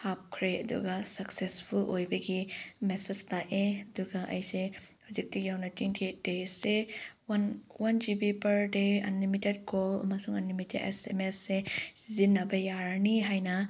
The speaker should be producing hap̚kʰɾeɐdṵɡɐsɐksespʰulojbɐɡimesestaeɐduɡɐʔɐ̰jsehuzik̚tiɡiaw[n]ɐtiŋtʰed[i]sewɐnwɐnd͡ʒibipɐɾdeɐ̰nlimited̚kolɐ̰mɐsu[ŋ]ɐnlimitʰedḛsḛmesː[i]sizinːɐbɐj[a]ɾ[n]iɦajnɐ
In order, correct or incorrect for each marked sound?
correct, incorrect, correct, incorrect, correct, correct

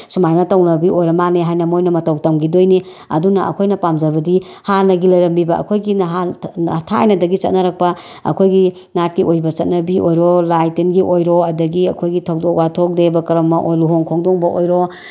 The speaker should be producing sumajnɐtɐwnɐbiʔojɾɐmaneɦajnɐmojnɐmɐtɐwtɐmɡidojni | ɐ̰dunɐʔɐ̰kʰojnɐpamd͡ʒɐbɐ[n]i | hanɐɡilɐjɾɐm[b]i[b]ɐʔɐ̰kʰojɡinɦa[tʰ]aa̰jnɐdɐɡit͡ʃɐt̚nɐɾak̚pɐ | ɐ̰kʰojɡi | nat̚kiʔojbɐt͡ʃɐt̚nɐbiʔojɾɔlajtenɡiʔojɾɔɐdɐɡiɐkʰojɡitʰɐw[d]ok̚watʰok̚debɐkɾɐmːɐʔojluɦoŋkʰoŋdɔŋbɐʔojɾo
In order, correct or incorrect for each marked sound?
incorrect, correct, correct, correct, correct

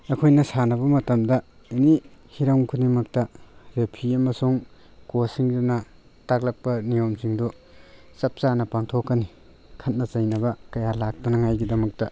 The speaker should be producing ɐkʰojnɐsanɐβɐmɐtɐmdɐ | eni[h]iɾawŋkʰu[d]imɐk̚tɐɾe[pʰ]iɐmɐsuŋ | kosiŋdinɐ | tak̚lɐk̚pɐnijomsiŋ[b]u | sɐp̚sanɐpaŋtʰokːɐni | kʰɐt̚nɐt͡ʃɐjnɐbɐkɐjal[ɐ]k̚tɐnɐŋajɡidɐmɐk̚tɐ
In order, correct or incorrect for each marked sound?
correct, incorrect, correct, incorrect, incorrect

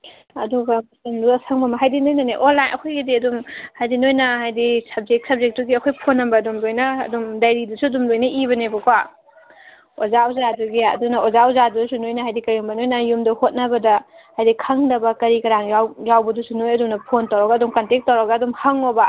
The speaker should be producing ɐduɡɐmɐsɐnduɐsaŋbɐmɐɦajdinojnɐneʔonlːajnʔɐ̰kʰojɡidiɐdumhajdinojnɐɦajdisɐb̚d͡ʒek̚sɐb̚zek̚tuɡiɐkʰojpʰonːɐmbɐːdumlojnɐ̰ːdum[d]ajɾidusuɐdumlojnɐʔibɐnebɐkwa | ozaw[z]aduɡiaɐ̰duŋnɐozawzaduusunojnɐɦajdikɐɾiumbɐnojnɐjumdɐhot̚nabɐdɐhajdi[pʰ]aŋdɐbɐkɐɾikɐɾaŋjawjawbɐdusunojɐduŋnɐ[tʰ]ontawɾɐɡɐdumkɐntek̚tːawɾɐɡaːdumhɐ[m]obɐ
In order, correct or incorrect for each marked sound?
correct, correct, incorrect, incorrect, incorrect

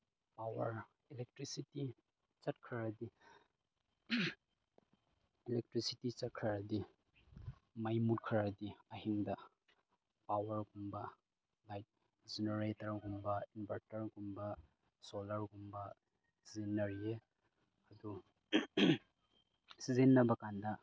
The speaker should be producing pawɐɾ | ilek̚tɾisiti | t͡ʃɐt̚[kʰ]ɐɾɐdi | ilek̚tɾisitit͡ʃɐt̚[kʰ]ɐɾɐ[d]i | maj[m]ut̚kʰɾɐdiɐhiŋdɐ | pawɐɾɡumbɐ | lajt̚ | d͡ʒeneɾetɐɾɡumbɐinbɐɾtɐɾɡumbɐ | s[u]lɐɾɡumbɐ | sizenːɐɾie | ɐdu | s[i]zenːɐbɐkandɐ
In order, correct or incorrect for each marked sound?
correct, correct, correct, correct, incorrect, correct

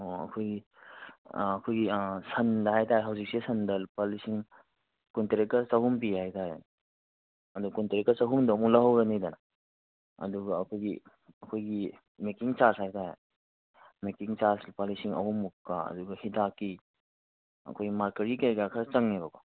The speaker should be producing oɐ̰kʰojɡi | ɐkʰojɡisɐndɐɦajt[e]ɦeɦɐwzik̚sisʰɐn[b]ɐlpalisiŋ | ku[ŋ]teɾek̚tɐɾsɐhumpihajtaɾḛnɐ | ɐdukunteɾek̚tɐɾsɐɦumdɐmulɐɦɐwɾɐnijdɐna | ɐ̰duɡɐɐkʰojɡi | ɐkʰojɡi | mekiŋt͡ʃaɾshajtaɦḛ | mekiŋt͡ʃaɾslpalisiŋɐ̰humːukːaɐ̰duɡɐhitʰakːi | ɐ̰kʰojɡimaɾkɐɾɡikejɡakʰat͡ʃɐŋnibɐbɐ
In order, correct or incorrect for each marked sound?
incorrect, incorrect, incorrect

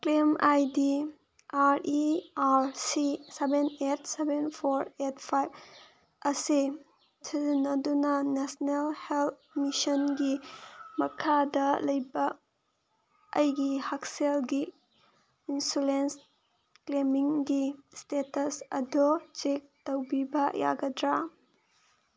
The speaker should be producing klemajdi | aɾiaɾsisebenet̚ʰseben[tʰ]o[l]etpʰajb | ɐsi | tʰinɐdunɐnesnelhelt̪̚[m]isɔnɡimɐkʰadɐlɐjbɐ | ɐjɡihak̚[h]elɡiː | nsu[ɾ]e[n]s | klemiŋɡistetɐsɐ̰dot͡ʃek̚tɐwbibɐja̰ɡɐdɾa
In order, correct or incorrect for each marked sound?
incorrect, incorrect, correct, incorrect, incorrect, correct

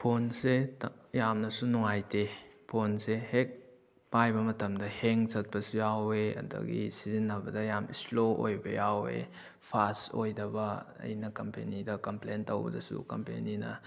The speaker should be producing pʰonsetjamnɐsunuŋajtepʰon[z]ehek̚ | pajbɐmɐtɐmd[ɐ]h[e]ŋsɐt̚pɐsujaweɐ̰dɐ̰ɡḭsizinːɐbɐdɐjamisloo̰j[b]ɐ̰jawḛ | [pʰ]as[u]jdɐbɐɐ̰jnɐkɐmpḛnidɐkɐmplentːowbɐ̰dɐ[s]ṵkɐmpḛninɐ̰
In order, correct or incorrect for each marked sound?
incorrect, correct, correct, correct, correct, incorrect, correct

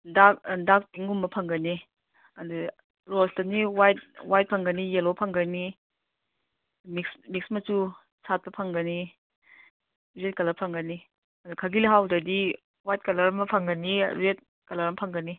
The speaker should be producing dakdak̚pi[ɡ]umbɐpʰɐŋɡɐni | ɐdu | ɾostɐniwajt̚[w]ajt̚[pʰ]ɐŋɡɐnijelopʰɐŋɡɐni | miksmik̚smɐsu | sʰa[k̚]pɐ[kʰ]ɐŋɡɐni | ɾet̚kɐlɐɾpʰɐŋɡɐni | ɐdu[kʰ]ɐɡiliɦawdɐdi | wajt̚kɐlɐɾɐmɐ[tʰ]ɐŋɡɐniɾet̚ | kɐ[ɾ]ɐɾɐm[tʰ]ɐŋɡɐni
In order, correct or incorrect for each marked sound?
incorrect, correct, correct, incorrect, incorrect, correct, incorrect, incorrect, incorrect

